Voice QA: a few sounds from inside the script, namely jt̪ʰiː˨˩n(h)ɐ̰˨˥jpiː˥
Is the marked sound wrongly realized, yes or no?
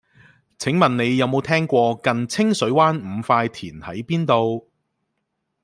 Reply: no